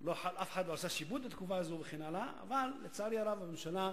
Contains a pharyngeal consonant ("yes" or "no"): yes